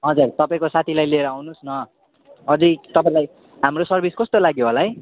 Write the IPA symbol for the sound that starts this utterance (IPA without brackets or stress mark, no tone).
ɦ